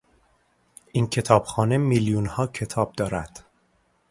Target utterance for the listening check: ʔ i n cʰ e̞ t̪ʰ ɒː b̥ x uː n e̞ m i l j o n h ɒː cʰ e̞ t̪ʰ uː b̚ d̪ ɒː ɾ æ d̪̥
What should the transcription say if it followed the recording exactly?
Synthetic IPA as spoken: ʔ i n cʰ e̞ t̪ʰ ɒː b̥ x ɒː n e̞ m i l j u n h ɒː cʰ e̞ t̪ʰ ɒː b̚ d̪ ɒː ɾ æ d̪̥